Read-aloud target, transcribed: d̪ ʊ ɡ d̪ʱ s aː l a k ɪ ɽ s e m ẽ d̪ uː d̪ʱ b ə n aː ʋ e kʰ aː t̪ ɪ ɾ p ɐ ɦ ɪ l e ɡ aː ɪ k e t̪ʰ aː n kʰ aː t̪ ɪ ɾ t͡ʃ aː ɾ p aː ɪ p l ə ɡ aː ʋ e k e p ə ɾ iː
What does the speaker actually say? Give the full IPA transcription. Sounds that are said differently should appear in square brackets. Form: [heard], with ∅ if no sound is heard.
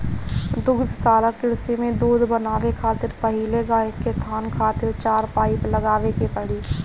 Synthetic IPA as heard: d̪ ʊ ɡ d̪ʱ s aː l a k ɪ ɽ s e m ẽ d̪ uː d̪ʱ b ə n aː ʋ e kʰ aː t̪ ɪ ɾ p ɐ ɦ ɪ l e ɡ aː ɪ k e t̪ʰ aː n kʰ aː t̪ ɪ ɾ t͡ʃ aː ɾ p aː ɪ p l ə ɡ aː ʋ e k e p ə [ɽ] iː